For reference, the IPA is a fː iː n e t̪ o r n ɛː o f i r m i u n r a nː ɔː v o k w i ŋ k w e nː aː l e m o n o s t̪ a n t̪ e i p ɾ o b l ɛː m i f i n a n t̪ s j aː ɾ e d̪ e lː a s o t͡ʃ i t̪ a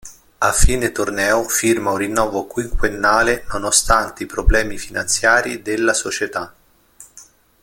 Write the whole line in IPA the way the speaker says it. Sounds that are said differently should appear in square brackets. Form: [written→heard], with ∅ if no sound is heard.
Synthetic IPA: a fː iː n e t̪ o r n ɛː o f i r m [i→a] u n r [a→i] nː ɔː v o k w i ŋ k w e nː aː l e [m→n] o n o s t̪ a n t̪ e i p ɾ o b l ɛː m i f i n a n t̪ s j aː ɾ [e→i] d̪ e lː a s o t͡ʃ [i→e] t̪ a